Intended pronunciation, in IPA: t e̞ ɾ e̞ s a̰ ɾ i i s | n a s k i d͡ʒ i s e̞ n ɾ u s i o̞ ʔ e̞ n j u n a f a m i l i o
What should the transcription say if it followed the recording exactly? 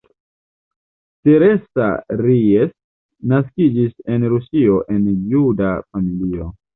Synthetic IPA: t e̞ ɾ e̞ s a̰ ɾ i e s | n a s k i d͡ʒ i s e̞ n ɾ u s i o̞ ʔ e̞ n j u d a f a m i l i o